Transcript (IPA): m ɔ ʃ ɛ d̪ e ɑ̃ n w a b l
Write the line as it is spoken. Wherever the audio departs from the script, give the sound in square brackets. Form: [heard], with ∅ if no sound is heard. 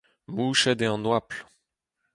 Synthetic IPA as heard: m [u] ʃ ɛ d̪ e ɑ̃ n w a [p] l